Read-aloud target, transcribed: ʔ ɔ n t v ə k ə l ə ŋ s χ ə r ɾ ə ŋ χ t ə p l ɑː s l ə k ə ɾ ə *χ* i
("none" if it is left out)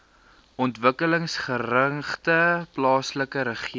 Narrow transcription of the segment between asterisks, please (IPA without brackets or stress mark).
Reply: χ